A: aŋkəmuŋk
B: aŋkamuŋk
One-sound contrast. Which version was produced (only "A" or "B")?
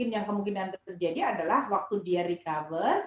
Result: A